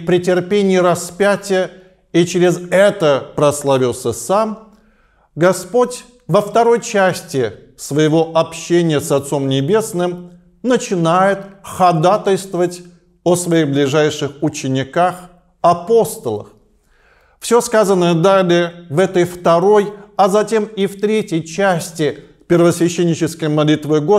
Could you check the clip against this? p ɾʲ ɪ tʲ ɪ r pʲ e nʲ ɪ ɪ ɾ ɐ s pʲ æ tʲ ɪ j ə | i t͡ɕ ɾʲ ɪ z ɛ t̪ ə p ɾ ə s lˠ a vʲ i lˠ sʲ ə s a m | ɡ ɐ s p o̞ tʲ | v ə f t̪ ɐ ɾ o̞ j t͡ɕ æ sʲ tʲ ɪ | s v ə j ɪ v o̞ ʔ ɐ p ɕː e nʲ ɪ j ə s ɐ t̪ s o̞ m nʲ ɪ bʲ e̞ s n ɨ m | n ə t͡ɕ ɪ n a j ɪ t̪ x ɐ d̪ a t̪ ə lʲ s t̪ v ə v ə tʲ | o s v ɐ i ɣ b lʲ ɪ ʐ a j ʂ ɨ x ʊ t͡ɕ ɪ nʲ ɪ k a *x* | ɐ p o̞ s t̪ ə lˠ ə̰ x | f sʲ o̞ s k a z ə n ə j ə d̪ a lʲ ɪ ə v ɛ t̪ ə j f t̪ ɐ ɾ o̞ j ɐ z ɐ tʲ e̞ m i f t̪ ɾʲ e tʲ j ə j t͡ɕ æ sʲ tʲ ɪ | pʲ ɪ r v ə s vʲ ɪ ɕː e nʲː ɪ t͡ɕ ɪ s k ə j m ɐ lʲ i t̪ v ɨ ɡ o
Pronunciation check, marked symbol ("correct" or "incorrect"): correct